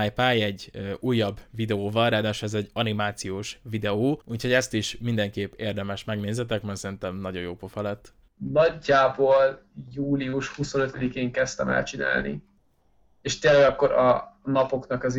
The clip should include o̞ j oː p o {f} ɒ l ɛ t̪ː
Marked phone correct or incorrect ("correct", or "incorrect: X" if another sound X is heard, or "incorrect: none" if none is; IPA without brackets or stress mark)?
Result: correct